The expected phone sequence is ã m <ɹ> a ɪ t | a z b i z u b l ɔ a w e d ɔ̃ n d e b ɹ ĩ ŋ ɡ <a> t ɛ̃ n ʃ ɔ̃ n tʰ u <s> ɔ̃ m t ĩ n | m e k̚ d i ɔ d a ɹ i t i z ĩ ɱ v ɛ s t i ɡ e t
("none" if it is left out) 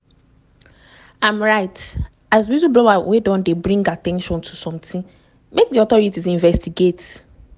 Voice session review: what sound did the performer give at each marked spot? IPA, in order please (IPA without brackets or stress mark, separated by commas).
ɹ, a, s